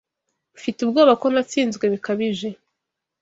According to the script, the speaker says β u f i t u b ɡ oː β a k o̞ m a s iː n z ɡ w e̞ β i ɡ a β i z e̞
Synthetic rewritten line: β u f i t u b ɡ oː β a k o̞ n a t͡s iː n z ɡ w e̞ β i k a β i ʒ e̞